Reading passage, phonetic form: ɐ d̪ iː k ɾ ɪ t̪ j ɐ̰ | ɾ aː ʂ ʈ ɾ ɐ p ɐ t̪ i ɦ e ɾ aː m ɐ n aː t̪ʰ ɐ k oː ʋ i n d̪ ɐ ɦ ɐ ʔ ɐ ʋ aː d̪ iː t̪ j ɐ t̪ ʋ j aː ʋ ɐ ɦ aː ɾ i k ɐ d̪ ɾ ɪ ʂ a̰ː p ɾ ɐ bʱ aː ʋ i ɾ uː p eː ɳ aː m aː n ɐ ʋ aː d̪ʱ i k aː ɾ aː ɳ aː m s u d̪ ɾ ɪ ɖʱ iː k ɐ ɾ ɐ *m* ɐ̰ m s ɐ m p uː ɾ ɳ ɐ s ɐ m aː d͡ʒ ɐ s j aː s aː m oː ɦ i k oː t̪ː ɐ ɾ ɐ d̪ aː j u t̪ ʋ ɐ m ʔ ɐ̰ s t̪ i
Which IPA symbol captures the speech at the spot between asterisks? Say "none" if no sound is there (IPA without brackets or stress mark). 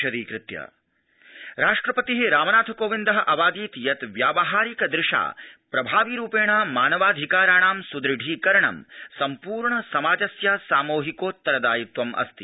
ɳ